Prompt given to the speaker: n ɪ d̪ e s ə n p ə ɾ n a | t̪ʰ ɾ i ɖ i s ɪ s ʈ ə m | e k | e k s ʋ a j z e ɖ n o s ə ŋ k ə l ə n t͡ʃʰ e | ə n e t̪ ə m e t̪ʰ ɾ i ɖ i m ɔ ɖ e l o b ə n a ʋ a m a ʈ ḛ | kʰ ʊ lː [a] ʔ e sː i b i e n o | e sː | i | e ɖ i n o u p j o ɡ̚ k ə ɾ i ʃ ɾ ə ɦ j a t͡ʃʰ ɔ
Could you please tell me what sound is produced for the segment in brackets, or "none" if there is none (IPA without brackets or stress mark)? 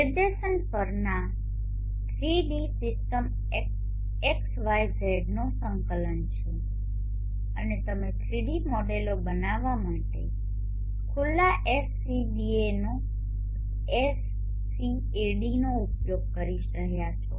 a